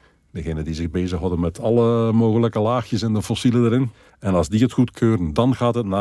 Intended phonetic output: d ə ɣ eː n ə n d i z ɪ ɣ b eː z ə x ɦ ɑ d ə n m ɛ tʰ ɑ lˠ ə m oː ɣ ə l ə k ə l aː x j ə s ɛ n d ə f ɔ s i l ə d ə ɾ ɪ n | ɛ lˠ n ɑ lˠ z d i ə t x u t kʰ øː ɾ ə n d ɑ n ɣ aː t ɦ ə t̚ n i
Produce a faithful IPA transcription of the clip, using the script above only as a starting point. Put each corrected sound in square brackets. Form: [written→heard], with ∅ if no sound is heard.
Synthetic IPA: d ə ɣ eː n ə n d i z ɪ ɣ b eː z ə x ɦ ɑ d ə n m ɛ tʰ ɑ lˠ ə m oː ɣ ə l ə k ə l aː x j ə s ɛ n d ə f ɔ s i l ə d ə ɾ ɪ n | ɛ [lˠ→∅] n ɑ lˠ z d i ə t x u t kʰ øː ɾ ə n d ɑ n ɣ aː t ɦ ə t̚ n [i→a]